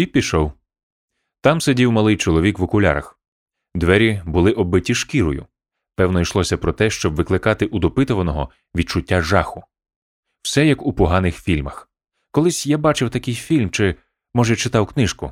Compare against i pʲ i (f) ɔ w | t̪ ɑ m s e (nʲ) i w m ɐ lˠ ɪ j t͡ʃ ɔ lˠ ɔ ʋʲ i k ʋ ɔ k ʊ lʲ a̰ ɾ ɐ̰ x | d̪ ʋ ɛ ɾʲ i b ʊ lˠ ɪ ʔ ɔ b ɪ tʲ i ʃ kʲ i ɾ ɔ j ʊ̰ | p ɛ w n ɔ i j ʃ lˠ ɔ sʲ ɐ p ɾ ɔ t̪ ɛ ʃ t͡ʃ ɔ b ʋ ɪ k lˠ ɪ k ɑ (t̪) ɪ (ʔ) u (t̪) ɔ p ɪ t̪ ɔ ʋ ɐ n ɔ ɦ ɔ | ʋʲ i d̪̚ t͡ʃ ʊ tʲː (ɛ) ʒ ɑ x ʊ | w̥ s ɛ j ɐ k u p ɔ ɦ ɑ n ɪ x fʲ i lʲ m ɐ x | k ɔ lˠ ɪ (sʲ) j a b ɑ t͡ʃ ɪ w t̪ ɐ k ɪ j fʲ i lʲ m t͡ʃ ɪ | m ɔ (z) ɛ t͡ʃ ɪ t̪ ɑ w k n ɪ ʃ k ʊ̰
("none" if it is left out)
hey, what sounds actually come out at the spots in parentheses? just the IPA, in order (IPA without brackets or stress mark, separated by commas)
ʃ, dʲ, t̪, ʔ, d̪, a, sʲ, ʒ